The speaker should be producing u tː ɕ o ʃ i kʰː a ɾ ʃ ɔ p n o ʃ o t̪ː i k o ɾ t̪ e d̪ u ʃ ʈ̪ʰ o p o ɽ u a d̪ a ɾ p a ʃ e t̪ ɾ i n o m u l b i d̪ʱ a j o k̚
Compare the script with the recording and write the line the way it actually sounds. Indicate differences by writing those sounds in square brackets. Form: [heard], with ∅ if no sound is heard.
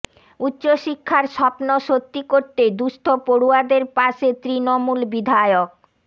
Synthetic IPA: u tː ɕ o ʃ i kʰː a ɾ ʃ ɔ p n o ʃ o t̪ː i k o ɾ t̪ e d̪ u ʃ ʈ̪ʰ o p o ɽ u a d̪ [e] ɾ p a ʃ e t̪ ɾ i n o m u l b i d̪ʱ a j o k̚